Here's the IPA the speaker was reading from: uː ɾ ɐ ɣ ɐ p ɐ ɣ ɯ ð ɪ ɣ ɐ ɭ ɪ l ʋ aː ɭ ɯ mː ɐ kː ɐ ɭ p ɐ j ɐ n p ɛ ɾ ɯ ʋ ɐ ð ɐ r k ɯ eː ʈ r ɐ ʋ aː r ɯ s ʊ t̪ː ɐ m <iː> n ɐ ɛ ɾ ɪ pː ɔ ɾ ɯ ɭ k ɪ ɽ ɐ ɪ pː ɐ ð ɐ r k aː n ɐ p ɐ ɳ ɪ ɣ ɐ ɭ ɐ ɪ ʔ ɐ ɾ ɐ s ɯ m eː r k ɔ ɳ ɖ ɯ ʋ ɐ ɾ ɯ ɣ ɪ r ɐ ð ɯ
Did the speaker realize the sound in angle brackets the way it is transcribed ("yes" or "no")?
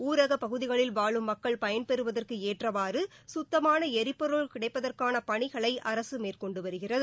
no